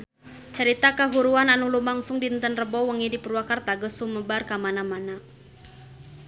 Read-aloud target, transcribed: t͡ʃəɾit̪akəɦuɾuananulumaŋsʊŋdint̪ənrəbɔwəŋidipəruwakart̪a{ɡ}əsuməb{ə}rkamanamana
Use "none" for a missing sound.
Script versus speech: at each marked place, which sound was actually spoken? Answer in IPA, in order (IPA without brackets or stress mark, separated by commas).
ɡ, a